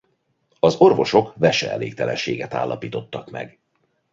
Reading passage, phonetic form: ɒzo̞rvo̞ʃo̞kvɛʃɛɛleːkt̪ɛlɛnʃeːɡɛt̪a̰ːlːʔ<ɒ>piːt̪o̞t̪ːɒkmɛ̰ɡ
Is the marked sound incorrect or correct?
correct